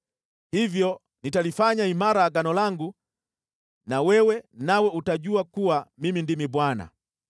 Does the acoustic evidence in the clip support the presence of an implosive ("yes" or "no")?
no